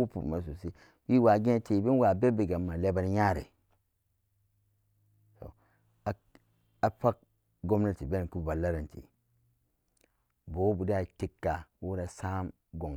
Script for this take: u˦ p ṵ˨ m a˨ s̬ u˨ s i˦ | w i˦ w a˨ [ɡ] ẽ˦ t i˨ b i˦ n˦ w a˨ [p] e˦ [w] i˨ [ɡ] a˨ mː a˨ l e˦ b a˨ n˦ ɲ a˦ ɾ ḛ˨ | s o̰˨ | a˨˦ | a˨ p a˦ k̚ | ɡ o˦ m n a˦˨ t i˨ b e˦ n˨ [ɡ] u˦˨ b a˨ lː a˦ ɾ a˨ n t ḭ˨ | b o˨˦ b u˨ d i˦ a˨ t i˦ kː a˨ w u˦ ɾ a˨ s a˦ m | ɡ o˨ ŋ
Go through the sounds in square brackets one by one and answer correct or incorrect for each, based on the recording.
correct, incorrect, incorrect, correct, incorrect

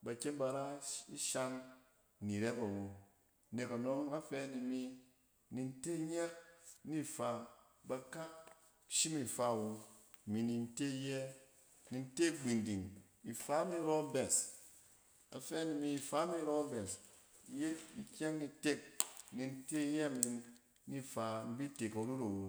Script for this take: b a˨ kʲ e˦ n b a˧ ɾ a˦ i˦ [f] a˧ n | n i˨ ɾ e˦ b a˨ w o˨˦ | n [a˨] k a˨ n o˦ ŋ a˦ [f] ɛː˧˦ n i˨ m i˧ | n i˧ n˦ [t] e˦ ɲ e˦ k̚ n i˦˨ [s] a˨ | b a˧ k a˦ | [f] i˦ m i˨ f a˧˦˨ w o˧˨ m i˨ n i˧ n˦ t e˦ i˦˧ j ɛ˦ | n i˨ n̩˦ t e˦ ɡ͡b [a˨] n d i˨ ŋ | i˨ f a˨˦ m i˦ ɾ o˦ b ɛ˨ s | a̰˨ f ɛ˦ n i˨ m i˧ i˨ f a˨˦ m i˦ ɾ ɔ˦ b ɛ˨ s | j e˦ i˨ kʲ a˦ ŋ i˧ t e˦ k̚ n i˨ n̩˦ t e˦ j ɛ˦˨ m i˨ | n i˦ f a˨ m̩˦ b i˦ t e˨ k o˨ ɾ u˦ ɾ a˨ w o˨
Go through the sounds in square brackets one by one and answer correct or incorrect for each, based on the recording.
incorrect, incorrect, correct, correct, incorrect, incorrect, incorrect

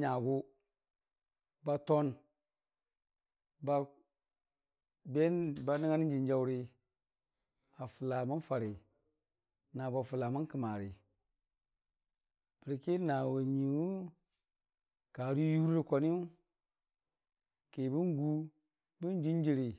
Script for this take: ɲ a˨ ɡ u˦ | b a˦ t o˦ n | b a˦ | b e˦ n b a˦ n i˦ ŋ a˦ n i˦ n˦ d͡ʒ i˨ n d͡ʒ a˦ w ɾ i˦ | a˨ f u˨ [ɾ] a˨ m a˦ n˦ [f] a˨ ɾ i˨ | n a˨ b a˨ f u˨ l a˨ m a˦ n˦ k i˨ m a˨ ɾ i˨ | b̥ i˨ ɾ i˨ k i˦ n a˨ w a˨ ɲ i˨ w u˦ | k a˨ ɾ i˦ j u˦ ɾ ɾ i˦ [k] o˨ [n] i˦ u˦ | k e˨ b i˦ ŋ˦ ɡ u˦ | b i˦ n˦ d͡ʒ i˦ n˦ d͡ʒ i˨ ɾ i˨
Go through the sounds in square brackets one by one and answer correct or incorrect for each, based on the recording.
incorrect, correct, correct, correct

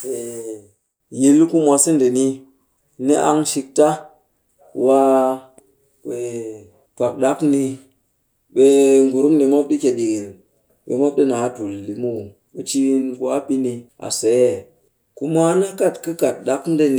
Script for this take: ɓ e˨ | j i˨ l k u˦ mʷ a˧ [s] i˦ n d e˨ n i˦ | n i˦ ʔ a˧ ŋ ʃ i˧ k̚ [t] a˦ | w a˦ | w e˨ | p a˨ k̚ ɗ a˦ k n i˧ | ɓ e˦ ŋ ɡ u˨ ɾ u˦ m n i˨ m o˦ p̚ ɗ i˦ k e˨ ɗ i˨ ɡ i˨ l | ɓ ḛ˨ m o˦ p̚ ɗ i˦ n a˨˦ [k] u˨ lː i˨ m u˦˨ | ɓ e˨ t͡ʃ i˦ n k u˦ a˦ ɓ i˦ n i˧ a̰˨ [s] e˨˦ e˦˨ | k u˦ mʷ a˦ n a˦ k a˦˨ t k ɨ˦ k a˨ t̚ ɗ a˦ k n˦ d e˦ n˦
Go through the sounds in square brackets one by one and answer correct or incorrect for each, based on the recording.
correct, correct, incorrect, correct

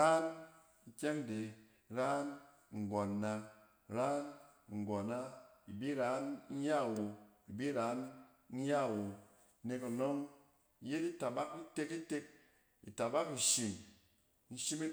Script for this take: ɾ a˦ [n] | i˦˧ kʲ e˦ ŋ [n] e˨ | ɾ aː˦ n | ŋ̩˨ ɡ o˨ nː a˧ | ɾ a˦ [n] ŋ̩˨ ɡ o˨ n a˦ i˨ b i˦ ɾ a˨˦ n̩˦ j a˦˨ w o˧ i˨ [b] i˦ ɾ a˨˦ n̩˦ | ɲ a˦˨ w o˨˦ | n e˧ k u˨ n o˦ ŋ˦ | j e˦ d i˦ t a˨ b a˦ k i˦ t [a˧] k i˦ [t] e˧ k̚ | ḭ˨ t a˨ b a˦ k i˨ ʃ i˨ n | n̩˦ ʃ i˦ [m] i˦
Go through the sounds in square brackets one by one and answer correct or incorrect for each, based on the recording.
correct, incorrect, correct, correct, incorrect, correct, correct

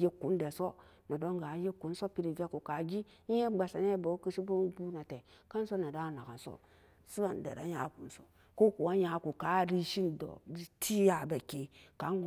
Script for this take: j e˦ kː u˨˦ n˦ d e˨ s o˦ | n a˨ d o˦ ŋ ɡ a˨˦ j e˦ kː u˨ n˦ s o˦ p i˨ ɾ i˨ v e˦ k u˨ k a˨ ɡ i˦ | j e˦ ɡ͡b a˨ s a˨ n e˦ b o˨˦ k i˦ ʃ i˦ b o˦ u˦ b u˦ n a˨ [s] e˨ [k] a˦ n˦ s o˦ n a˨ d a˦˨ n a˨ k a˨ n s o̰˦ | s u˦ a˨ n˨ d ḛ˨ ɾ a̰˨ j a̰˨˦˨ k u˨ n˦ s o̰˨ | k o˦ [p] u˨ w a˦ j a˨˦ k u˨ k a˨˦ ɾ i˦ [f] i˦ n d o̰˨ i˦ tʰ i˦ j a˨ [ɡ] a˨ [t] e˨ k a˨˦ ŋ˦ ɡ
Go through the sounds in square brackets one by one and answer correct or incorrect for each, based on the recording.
incorrect, correct, incorrect, incorrect, incorrect, incorrect

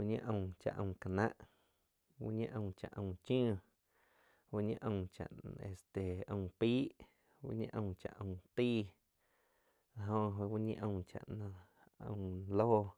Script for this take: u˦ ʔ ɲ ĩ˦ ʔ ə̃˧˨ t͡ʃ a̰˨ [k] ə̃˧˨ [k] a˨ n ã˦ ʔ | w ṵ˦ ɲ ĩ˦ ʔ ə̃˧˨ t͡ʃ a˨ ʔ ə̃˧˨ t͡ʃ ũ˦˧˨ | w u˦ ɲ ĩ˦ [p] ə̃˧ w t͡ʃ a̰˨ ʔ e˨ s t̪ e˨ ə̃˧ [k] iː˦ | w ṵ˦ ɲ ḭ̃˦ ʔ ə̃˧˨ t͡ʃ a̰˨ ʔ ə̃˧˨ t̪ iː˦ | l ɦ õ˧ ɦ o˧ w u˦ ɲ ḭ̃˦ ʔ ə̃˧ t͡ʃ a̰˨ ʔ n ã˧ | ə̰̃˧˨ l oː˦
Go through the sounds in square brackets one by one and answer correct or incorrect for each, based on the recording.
incorrect, correct, incorrect, incorrect

